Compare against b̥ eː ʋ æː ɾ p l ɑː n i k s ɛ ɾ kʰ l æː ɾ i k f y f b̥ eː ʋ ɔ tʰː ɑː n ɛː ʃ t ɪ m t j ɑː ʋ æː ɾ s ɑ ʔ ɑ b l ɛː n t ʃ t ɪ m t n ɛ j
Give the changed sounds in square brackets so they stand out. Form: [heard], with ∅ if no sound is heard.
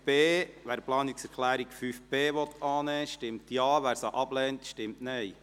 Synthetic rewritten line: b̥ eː ʋ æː ɾ p l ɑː n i k s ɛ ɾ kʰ l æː ɾ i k f y f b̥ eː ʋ ɔ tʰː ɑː n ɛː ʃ t ɪ m t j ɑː ʋ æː ɾ s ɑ ʔ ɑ b l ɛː n t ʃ t ɪ m t n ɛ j